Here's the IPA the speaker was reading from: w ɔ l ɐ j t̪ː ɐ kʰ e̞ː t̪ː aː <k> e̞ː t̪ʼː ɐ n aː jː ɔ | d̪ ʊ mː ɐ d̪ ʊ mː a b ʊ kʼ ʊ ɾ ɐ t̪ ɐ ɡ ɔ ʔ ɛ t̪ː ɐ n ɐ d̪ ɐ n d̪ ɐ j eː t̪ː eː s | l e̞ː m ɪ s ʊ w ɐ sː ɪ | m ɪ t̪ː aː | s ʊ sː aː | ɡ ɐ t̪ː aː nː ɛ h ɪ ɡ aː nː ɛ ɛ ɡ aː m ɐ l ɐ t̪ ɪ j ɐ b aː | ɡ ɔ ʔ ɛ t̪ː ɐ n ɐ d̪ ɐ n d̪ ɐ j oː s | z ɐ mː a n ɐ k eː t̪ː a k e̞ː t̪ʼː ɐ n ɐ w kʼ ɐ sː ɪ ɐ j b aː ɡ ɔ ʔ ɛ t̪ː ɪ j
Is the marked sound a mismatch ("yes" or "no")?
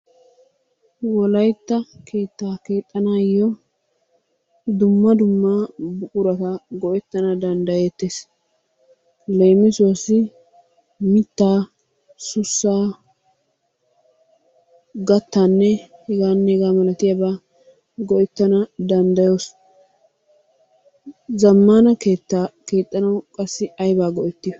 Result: no